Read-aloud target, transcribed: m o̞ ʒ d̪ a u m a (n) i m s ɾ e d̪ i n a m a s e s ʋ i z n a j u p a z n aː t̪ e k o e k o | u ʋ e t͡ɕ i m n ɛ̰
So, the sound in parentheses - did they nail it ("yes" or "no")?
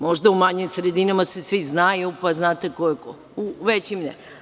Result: no